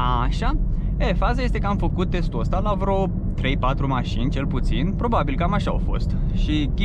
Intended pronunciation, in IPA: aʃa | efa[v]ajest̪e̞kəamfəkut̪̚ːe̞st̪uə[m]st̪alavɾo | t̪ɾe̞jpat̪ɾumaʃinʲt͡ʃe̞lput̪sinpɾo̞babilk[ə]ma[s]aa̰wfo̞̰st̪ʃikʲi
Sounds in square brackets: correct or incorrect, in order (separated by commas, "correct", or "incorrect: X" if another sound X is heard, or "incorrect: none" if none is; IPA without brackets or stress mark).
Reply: incorrect: z, incorrect: none, incorrect: a, incorrect: ʃ